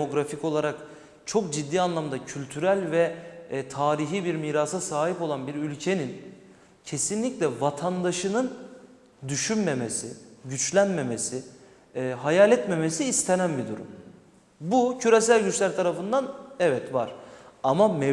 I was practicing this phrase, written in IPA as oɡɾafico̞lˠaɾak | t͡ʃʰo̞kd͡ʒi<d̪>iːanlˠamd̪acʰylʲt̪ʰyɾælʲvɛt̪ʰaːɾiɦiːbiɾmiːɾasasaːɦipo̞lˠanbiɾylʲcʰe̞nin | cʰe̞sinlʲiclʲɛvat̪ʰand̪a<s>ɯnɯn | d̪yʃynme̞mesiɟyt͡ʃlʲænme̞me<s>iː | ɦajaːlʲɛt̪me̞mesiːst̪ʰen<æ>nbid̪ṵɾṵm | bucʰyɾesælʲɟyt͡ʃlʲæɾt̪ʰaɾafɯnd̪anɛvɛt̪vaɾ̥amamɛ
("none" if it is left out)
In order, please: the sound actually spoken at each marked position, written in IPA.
d̪ː, ʃ, s, æ

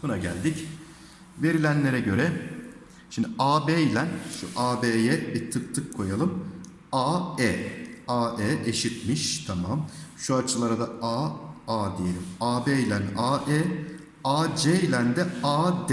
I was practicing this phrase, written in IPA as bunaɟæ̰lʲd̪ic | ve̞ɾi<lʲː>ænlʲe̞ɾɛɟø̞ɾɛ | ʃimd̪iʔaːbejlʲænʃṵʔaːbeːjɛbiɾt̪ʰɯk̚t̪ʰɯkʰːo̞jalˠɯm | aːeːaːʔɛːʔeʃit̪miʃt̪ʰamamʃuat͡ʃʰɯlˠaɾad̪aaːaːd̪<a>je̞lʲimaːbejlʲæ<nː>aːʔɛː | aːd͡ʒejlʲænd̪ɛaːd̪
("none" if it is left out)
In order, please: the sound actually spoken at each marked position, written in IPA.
lʲ, i, n

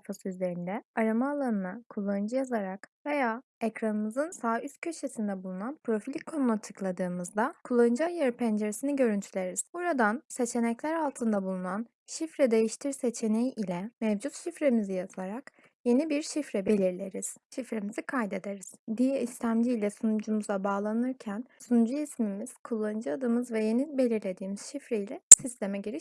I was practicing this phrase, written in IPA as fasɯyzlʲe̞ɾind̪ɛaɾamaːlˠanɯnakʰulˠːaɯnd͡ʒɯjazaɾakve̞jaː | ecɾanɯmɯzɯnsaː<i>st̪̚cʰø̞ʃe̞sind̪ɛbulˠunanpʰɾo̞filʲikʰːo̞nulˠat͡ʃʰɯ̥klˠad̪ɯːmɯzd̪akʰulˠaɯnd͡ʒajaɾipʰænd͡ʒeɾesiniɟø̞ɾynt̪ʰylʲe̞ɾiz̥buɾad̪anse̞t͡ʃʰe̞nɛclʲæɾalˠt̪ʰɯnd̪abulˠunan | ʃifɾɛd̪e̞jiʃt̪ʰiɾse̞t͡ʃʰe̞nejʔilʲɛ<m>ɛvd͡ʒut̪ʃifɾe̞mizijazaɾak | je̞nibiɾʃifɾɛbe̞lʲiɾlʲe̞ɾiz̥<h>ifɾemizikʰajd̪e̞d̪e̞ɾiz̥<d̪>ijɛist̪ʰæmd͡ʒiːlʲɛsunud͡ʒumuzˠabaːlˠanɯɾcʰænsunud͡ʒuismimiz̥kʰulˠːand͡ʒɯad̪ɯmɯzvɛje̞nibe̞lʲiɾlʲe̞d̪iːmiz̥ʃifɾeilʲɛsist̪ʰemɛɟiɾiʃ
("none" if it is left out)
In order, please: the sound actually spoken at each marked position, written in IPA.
y, m, ʃ, d̪

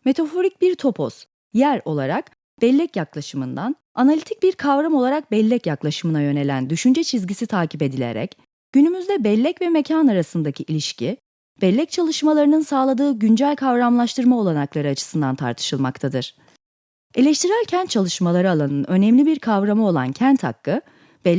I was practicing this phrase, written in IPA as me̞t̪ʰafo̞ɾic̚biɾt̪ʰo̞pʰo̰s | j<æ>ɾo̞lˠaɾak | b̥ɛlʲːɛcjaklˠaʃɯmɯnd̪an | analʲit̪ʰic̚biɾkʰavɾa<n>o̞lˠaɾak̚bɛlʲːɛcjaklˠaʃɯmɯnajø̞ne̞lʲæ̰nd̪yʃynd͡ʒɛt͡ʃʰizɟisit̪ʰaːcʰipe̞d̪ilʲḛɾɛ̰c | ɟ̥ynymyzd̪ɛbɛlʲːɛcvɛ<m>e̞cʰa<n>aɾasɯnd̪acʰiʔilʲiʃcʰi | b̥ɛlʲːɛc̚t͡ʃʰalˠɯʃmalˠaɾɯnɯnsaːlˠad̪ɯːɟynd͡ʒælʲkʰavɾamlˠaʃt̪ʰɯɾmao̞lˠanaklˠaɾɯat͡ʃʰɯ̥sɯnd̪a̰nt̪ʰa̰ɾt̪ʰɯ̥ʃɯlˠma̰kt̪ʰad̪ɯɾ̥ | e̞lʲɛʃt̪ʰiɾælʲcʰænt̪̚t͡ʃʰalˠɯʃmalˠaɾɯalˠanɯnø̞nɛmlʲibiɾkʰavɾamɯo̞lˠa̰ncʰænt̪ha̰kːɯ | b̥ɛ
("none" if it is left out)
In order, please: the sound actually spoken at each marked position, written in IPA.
æ, m, m, n

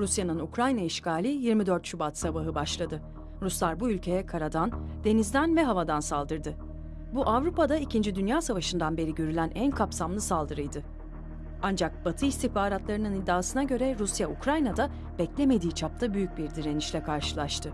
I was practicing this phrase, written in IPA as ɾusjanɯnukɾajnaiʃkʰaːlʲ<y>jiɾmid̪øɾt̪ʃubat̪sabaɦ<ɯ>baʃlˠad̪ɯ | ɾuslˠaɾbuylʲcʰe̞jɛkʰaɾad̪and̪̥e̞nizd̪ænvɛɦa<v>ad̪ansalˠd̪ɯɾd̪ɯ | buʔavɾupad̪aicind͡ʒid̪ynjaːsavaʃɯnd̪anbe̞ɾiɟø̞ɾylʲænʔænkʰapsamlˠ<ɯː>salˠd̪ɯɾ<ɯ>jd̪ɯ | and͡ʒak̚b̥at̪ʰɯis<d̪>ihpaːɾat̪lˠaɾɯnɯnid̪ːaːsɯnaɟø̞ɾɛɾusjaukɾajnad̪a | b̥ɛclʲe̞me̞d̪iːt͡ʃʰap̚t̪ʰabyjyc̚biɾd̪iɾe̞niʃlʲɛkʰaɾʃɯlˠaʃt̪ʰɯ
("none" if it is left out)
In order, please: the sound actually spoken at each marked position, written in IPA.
i, ɯ, v, ɯ, ɯ, t̪

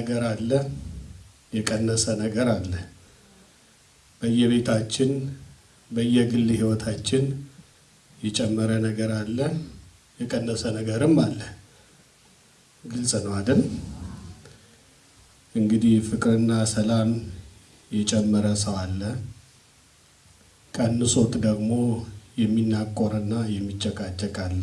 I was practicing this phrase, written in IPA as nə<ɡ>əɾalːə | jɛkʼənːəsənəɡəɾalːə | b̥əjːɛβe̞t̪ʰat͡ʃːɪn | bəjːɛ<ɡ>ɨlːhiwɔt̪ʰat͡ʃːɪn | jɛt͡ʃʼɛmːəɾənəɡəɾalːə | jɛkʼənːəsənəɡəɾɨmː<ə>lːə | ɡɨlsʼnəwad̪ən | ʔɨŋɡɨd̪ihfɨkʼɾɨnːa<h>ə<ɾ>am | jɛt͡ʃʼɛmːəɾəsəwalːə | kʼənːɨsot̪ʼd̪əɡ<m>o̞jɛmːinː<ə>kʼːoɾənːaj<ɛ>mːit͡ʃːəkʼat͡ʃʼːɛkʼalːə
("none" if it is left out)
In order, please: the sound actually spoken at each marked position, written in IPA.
ɡ, ɡ, a, s, l, m, a, ɛ

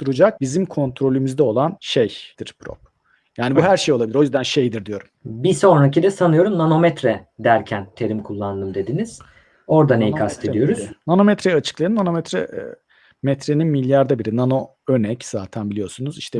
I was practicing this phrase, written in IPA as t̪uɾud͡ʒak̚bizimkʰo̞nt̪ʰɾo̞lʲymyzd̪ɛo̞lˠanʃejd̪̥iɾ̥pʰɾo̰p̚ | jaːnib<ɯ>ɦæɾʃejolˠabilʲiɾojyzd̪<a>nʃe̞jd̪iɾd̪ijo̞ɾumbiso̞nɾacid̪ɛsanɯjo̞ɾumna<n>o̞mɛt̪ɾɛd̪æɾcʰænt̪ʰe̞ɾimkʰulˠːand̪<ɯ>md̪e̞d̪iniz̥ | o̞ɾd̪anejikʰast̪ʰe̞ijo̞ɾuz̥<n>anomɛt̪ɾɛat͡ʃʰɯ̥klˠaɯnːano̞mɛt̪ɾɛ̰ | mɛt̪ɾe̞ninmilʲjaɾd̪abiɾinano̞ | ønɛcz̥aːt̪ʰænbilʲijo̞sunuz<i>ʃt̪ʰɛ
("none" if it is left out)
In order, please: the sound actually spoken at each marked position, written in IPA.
u, æ, n, ɯ, n, i

